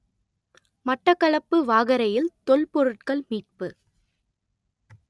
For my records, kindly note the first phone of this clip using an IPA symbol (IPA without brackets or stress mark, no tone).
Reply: m